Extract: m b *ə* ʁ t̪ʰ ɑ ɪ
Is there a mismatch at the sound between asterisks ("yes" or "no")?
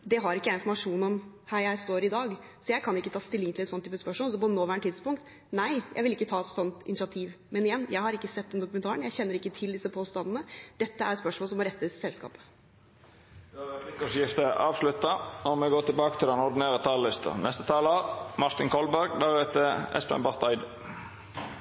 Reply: yes